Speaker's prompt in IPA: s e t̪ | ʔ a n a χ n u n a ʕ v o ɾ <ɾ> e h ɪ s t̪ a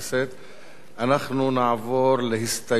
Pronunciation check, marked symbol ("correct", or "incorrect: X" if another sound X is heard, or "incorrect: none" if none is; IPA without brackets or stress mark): incorrect: l